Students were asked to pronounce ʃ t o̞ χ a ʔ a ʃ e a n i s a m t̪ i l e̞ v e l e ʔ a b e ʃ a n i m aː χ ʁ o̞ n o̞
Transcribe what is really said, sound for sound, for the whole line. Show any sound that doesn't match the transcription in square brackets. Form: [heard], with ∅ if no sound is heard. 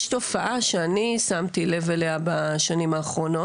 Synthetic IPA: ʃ t o̞ [f] a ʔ a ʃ e a n i s a m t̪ i l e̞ v e l e [∅] a b [a] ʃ a n i m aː χ ʁ o̞ n o̞